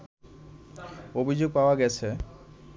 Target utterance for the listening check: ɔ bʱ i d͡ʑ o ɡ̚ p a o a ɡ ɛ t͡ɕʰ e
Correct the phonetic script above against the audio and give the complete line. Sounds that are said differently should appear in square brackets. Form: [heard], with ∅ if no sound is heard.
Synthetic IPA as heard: [o] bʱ i d͡ʑ o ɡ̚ p a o a ɡ ɛ t͡ɕʰ e